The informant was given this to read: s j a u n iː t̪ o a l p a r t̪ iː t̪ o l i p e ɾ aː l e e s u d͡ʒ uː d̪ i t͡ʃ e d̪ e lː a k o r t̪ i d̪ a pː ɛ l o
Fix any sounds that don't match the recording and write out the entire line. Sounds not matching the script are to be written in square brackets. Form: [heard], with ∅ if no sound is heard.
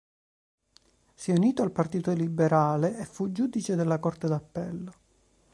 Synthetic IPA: s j [ɛ] u n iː t̪ o a l p a r t̪ iː t̪ o l i [b] e ɾ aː l e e [f] u d͡ʒ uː d̪ i t͡ʃ e d̪ e lː a k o r t̪ [e] d̪ a pː ɛ [lː] o